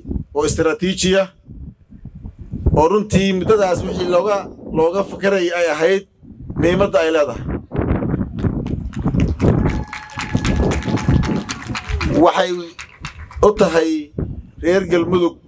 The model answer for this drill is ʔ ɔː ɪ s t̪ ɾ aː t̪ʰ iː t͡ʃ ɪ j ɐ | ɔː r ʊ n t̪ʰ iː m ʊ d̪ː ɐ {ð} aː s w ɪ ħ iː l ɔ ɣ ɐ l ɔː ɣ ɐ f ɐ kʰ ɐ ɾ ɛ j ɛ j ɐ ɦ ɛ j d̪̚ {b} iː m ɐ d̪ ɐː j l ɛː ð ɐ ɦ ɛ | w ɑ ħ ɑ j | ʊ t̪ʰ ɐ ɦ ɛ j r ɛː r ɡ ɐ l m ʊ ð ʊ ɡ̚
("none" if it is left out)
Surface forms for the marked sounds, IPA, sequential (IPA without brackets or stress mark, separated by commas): ð, m